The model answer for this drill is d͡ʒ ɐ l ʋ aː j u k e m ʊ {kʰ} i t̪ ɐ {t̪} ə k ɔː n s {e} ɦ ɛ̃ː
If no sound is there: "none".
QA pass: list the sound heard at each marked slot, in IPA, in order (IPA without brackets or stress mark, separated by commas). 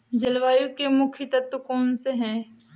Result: kʰ, t̪, e